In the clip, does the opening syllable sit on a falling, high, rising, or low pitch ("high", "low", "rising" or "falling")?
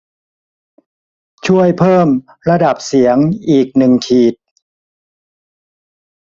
falling